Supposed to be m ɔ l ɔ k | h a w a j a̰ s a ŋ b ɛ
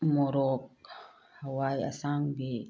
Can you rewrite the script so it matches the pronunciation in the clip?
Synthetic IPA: m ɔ ɾ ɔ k | h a w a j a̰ s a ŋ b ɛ